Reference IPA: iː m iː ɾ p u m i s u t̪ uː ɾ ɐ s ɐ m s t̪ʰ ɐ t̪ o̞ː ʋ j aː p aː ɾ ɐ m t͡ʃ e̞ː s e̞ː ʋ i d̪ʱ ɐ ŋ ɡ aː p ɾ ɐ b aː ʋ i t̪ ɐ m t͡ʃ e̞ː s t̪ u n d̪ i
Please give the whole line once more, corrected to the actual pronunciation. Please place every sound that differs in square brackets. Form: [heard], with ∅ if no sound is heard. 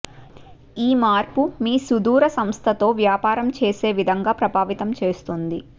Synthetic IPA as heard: iː m [aː] ɾ p u m [iː] s u [d̪] uː ɾ ɐ s ɐ m s t̪ʰ ɐ t̪ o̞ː ʋ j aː p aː ɾ ɐ m t͡ʃ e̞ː s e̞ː ʋ i d̪ʱ ɐ ŋ ɡ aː p ɾ ɐ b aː ʋ i t̪ ɐ m t͡ʃ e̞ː s t̪ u n d̪ i